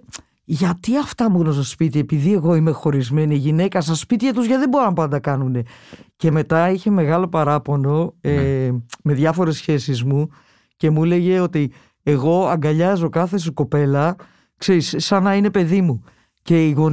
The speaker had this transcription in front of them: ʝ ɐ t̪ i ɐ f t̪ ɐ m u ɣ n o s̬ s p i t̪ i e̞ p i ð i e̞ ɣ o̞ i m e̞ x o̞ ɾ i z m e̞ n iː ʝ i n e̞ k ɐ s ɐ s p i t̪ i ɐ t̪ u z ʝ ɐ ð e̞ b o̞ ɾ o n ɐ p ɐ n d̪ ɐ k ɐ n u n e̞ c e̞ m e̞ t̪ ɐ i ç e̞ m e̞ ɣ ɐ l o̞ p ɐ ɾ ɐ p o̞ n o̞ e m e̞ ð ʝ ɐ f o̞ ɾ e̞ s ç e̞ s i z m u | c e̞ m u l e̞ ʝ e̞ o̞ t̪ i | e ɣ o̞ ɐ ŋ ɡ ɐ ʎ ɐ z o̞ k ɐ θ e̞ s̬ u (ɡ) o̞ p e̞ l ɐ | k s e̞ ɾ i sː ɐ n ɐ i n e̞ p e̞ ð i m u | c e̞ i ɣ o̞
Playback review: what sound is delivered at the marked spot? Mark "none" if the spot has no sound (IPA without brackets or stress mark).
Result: k